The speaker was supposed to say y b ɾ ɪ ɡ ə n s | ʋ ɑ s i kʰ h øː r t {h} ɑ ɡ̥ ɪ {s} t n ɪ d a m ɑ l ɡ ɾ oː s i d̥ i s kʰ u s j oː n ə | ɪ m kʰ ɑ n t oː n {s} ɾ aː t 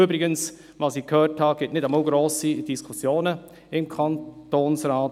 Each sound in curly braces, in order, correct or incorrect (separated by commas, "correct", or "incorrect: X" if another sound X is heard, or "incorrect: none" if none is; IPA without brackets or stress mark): correct, incorrect: none, correct